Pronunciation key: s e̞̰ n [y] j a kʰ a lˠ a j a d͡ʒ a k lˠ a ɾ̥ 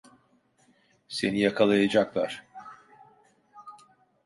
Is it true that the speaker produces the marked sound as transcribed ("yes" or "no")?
no